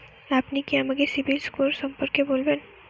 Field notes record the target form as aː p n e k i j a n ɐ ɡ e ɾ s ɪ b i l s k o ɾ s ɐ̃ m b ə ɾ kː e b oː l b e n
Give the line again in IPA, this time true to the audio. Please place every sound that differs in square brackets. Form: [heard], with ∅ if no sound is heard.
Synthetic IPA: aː p n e k i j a [m] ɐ ɡ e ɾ s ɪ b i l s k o ɾ s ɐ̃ m [p] ə ɾ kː e b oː l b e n